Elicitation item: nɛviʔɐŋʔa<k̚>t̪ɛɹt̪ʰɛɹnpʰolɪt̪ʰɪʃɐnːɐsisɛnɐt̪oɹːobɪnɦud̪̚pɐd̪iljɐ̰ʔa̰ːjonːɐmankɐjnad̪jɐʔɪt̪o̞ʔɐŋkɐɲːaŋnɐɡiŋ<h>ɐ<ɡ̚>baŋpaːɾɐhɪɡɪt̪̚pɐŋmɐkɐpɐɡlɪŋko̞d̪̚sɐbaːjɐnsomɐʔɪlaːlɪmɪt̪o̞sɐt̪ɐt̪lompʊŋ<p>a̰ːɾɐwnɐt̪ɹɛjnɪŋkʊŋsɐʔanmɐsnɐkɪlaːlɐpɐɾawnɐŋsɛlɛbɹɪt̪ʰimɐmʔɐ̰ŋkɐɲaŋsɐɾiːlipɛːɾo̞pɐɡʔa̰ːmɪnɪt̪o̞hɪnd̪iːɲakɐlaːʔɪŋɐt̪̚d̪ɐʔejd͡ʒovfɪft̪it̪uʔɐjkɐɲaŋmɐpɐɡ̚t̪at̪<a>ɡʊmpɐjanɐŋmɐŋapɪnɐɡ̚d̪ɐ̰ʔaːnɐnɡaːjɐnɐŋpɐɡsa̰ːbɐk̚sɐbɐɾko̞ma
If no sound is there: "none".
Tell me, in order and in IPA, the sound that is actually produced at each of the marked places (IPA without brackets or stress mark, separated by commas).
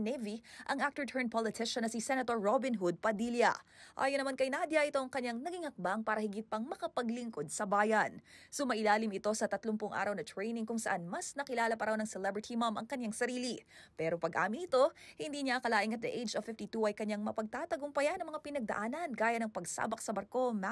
k̚, h, k̚, ʔ, ɐ